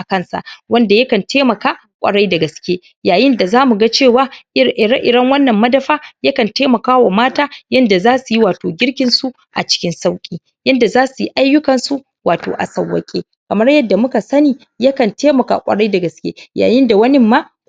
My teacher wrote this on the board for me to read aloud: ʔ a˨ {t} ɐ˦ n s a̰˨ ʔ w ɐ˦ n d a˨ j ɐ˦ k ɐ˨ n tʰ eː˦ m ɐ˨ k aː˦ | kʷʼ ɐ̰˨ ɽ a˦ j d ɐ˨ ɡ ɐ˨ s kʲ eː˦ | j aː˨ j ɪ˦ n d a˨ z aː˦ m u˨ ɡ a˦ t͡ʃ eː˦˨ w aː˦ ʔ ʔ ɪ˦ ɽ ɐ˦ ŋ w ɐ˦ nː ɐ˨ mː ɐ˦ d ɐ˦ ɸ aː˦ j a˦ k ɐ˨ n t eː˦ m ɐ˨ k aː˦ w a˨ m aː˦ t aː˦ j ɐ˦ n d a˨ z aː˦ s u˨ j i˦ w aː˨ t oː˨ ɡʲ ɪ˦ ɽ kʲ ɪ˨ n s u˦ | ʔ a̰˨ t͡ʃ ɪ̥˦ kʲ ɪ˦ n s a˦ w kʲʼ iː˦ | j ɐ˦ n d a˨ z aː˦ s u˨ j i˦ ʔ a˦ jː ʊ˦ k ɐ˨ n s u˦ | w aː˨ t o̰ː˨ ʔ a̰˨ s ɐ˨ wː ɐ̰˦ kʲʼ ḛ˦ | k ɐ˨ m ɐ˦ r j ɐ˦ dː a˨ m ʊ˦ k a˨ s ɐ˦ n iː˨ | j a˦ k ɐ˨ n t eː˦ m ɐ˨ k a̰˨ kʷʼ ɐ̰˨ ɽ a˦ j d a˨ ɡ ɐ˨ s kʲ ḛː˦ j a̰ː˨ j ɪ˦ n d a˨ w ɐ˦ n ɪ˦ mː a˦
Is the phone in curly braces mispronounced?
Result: yes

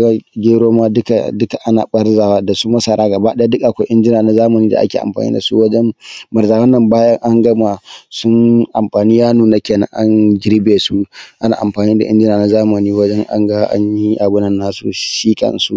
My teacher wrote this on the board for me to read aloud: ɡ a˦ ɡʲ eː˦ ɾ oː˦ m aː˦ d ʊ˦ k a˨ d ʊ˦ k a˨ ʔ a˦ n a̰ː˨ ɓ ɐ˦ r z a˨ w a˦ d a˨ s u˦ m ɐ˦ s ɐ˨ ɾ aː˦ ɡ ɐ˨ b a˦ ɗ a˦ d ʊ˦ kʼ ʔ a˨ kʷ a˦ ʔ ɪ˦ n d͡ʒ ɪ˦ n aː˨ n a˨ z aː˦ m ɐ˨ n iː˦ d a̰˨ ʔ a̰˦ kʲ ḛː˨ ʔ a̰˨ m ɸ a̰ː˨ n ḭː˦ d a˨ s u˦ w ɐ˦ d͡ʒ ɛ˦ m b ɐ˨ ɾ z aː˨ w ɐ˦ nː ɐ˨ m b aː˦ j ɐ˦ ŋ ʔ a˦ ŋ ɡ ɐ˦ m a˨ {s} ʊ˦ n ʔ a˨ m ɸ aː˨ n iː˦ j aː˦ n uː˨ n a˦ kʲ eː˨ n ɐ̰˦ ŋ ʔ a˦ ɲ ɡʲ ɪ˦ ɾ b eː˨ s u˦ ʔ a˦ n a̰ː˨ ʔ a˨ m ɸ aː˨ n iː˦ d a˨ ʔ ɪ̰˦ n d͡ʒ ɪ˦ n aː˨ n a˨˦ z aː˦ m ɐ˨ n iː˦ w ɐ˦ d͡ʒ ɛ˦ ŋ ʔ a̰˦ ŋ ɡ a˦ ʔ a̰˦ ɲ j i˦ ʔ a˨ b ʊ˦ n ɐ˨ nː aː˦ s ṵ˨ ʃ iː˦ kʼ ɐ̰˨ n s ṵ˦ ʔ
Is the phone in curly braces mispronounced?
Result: no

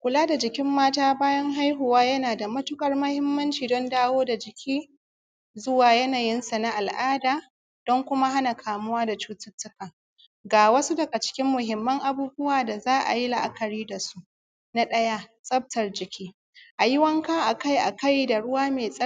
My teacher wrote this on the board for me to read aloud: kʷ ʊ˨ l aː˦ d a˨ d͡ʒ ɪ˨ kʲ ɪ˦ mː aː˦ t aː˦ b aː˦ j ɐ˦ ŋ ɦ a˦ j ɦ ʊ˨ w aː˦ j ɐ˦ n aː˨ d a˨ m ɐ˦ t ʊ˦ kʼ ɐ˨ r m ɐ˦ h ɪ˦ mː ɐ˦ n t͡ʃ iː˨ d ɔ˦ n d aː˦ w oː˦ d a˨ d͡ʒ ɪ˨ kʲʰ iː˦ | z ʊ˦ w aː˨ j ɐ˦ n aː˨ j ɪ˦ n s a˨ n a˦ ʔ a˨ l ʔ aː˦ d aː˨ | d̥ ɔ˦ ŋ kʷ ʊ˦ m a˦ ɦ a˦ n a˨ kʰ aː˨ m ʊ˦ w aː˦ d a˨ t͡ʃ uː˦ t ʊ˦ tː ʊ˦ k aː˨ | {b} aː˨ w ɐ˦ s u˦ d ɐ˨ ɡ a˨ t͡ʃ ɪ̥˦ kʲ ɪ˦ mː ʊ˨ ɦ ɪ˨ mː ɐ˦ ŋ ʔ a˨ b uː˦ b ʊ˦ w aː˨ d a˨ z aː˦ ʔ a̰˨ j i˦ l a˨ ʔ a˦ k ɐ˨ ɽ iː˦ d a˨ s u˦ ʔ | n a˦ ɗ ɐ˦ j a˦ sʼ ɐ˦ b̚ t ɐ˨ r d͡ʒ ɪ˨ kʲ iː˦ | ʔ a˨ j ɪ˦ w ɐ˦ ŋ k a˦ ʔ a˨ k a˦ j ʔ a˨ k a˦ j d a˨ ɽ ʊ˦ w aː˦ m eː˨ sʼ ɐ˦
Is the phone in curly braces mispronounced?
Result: yes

